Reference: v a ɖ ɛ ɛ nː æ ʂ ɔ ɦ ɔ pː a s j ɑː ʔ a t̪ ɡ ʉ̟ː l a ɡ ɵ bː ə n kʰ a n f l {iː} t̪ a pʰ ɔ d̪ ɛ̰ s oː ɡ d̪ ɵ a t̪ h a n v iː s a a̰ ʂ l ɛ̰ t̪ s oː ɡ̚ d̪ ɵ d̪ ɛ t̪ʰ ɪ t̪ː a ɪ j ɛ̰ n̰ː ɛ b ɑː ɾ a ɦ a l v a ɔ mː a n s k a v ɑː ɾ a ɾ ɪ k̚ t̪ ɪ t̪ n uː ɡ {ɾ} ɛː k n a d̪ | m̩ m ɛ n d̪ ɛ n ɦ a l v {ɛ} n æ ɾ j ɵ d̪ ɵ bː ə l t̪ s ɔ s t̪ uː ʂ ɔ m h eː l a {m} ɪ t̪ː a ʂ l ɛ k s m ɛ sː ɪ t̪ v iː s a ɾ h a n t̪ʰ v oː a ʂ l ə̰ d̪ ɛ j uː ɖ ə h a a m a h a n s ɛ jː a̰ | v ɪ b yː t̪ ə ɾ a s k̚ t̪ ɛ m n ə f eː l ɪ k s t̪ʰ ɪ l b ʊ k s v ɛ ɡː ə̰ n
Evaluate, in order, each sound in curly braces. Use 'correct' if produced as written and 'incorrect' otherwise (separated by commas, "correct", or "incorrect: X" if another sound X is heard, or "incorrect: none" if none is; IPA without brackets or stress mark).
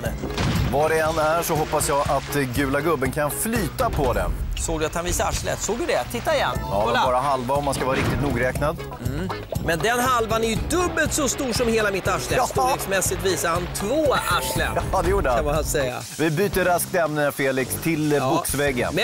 incorrect: yː, correct, incorrect: a, correct